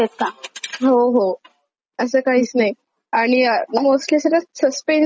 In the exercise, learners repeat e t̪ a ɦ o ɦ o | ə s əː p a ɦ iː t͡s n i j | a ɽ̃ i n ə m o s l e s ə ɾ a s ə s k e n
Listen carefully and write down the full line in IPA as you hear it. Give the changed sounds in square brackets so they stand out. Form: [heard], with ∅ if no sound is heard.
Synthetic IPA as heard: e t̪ a ɦ o ɦ o | ə s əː [k] a ɦ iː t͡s n [a] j | a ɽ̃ i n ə m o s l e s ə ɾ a s ə s [p] e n